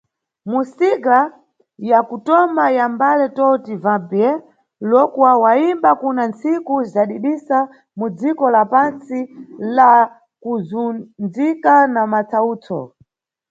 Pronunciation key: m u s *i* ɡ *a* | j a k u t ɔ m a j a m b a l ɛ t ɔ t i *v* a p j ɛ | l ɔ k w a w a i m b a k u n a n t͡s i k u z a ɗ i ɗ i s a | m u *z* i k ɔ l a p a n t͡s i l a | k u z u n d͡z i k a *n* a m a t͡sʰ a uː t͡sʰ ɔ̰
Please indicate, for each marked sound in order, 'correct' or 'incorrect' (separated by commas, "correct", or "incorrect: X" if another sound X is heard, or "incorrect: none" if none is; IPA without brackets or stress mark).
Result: correct, correct, correct, incorrect: d͡z, correct